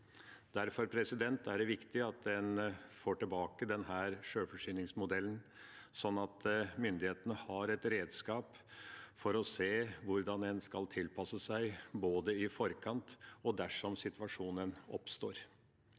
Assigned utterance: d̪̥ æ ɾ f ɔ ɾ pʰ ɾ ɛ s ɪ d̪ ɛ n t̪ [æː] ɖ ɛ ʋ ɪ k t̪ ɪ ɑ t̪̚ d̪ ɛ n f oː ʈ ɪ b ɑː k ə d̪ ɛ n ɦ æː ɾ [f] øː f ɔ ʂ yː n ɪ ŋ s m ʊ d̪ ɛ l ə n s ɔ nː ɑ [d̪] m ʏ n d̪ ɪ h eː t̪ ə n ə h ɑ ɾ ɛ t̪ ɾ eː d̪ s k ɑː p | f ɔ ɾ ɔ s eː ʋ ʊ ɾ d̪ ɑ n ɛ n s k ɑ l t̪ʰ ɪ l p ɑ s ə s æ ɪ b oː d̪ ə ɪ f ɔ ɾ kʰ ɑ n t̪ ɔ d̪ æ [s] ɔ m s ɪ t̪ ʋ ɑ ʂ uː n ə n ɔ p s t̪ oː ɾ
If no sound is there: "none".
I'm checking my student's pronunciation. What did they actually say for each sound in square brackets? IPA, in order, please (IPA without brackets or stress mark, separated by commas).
æ, ʂ, t̪, ʂ